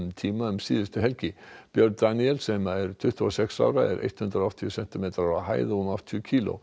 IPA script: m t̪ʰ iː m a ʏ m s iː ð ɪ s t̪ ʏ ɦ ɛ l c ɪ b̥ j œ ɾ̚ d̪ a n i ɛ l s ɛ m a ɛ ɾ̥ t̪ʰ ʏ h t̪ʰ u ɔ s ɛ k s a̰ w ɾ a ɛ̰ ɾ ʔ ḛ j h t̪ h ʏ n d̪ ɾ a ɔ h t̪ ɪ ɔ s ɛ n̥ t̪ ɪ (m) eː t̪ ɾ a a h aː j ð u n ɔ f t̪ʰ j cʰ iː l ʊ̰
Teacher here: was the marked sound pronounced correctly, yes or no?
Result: yes